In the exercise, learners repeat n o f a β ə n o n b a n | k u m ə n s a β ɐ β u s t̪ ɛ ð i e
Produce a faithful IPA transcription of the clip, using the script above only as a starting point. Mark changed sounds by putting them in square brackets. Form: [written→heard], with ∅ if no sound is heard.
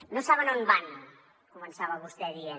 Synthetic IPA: n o [f→s] a β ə n o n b a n | k u m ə n s a β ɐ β u s t̪ ɛ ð i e